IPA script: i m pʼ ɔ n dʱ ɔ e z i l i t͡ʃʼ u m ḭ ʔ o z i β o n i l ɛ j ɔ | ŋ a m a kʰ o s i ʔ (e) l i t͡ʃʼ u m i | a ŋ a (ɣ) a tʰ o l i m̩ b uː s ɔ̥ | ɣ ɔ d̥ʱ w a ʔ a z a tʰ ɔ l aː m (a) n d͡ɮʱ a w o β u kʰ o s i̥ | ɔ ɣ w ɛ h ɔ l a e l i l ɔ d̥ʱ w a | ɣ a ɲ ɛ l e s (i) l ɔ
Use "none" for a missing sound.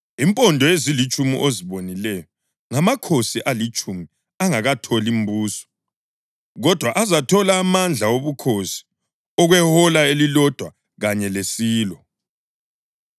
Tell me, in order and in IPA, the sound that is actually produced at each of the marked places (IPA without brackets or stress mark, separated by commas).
a, ɣ, a, iː